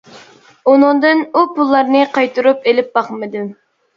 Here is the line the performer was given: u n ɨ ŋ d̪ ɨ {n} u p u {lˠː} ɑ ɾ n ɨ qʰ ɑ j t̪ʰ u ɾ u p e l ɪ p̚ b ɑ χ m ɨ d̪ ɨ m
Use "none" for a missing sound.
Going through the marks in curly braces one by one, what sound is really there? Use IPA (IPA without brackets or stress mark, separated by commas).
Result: n, lˠː